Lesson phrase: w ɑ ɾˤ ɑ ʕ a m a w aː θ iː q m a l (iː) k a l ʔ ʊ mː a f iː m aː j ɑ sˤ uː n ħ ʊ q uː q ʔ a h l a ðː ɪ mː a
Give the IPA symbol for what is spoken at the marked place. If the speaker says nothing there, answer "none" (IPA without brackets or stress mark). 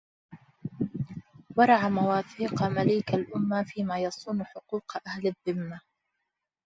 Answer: iː